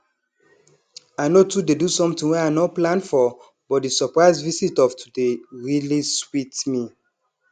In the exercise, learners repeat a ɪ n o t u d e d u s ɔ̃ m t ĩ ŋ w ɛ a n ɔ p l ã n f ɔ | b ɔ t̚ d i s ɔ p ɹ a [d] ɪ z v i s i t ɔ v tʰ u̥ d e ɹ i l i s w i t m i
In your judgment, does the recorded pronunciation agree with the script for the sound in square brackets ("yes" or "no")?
no